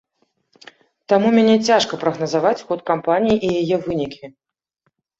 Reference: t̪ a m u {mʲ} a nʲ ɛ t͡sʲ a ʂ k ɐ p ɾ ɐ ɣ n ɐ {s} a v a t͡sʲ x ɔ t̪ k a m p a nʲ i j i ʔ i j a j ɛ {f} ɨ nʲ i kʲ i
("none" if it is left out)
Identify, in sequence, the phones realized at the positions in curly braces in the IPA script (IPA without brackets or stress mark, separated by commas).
mʲ, z, v